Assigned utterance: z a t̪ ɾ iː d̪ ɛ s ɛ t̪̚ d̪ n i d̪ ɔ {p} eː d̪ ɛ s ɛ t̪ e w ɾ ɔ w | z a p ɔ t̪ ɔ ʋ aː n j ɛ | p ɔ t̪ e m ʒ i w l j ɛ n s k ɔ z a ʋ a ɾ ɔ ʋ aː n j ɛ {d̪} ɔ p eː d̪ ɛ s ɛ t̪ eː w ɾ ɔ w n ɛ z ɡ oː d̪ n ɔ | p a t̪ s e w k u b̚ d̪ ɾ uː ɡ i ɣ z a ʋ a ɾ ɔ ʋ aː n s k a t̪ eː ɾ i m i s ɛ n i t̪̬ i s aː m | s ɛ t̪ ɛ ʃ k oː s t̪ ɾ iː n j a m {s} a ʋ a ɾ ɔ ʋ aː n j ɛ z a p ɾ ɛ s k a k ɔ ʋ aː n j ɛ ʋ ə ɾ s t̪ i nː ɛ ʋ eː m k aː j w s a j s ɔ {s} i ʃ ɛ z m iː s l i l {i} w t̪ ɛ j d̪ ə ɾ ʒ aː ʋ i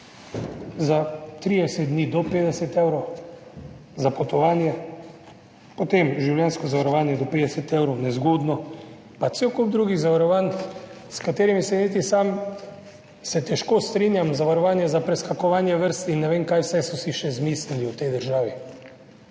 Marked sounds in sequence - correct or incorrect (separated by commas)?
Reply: correct, correct, incorrect, correct, correct